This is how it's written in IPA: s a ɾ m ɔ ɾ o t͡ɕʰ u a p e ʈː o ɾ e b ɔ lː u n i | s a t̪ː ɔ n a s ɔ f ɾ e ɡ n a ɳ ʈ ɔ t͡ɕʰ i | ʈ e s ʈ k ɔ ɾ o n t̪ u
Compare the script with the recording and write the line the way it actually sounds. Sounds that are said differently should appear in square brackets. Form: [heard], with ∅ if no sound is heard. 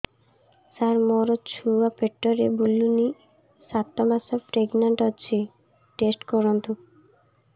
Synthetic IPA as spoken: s a ɾ m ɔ ɾ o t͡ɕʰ u a p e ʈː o ɾ e b [u] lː u n i | s a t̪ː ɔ [m] a s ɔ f ɾ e ɡ n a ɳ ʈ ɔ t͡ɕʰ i | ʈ e s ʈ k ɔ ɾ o n t̪ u